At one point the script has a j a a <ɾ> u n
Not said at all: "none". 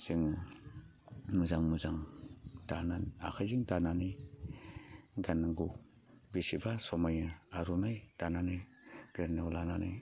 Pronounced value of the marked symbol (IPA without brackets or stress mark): ɾ